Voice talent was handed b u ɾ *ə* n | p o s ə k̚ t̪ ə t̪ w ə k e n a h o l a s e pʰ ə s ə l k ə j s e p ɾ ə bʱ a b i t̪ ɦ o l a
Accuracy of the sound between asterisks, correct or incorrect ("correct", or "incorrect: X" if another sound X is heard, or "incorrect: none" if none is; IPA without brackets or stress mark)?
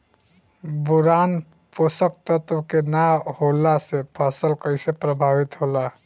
incorrect: a